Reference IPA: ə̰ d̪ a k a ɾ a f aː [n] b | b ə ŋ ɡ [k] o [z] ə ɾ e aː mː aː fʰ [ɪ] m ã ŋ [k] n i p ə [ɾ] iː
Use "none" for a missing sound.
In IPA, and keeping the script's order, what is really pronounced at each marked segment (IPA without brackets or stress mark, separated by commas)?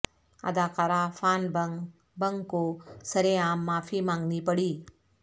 n, k, s, i, ɡ, ɽ